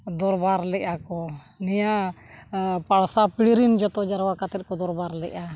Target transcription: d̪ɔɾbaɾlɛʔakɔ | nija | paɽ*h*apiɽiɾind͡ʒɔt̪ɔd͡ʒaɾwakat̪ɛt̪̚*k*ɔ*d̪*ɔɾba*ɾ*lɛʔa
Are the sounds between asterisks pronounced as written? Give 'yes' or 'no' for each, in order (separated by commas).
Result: no, yes, yes, yes